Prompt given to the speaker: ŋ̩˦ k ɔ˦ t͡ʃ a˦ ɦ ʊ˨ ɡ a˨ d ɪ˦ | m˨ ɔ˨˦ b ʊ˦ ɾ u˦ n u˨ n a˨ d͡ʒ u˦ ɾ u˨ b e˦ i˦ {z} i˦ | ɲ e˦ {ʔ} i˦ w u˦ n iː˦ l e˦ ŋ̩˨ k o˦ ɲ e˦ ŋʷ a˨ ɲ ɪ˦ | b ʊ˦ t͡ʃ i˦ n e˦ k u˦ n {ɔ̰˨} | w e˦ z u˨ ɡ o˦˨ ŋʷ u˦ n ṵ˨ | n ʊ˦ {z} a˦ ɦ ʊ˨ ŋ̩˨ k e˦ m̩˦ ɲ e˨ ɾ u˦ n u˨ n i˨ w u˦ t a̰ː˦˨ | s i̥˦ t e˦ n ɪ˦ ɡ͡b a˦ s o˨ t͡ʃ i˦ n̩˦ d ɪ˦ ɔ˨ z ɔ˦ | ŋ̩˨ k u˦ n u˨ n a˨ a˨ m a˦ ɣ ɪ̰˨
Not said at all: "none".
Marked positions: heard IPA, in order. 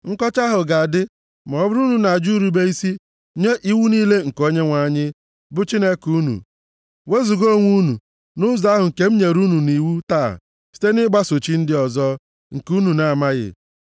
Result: s, ʔ, ṵ˨, z

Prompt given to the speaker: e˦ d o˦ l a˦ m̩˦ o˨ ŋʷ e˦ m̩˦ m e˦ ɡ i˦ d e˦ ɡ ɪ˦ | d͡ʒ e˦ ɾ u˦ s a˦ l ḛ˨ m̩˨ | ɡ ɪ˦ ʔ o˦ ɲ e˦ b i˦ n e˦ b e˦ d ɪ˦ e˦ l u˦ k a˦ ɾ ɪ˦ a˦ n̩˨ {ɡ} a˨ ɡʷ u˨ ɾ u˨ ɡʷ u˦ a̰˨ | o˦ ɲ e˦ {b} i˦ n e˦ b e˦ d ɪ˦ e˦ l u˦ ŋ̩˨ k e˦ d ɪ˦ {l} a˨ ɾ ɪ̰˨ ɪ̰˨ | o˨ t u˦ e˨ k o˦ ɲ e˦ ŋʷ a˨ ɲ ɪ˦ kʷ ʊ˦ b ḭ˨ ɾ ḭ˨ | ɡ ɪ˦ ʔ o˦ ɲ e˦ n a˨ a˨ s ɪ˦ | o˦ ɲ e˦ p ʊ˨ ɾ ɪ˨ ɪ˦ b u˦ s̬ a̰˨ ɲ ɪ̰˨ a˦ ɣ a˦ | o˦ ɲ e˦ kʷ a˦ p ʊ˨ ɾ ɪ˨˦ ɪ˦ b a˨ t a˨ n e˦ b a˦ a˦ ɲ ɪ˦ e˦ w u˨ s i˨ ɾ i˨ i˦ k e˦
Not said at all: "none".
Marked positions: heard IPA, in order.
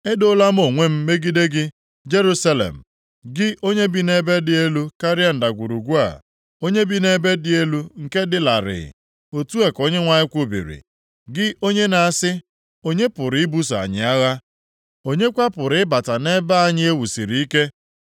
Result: d, b, l

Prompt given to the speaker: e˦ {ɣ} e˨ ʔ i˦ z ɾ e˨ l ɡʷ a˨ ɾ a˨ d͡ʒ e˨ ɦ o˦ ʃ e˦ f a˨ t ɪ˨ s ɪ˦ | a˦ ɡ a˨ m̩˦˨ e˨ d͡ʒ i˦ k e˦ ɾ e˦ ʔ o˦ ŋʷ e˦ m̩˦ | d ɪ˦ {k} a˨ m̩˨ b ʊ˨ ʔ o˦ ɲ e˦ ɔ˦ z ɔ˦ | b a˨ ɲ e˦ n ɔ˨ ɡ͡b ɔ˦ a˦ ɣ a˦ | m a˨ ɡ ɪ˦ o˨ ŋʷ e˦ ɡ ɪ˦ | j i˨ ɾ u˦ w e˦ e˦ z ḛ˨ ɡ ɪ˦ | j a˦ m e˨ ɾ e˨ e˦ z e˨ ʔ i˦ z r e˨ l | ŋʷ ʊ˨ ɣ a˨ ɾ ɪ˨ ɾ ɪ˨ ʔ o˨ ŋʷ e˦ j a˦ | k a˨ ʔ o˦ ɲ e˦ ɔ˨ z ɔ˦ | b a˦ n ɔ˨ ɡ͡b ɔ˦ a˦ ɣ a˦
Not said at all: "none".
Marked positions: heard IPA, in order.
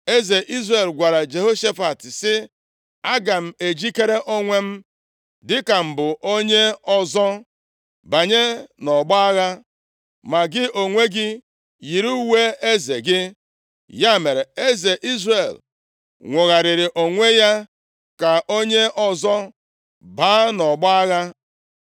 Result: z, k

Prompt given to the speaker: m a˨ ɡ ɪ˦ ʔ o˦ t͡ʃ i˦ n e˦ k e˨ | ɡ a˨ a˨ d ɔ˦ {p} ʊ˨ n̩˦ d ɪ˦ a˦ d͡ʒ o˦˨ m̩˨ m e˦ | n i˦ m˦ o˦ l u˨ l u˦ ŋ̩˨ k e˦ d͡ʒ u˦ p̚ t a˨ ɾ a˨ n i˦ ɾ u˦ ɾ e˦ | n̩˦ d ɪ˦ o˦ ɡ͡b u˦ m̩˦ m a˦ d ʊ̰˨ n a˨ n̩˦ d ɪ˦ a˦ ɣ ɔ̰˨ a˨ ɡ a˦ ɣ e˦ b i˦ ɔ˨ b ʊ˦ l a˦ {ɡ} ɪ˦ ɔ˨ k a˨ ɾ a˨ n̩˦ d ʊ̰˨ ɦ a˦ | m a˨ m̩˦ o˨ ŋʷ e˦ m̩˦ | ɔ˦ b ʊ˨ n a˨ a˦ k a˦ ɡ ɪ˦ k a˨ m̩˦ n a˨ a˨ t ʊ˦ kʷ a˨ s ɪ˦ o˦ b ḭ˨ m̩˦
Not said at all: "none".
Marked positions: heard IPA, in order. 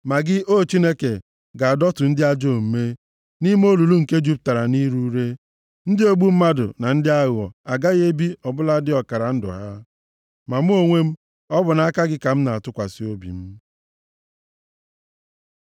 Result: t, d

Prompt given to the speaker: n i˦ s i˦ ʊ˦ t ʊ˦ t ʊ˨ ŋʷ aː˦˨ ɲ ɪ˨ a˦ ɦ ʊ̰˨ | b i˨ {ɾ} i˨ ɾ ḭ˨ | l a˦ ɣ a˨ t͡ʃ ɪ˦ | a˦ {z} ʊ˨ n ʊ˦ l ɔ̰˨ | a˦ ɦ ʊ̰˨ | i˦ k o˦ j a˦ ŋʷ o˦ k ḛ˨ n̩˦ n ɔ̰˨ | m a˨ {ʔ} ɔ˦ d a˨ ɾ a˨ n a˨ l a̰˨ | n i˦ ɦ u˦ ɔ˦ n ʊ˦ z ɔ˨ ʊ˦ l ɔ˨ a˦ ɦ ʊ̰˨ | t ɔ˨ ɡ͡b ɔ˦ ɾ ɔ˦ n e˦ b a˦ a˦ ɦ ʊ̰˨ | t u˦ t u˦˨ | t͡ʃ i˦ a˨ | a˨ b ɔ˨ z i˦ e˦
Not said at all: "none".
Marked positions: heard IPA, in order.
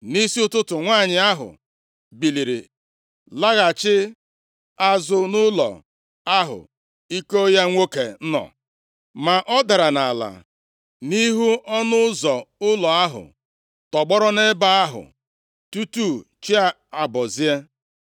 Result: l, z, ʔ

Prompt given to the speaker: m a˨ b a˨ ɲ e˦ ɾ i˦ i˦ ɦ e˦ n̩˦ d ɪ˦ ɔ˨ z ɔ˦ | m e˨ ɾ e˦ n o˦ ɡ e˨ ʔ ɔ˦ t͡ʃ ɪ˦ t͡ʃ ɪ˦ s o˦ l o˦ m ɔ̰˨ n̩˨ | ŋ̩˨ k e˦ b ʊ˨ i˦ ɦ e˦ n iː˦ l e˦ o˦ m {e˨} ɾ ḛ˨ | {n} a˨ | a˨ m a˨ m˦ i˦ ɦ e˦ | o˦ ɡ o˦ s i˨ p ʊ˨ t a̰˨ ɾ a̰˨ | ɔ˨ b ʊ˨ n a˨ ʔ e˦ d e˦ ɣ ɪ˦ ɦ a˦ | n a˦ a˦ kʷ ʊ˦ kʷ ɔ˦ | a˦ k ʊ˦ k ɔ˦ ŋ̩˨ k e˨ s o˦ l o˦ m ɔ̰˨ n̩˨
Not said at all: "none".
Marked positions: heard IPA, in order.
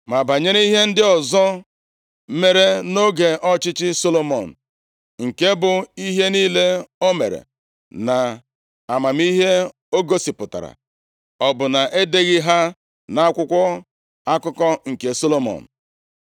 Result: e˨, n

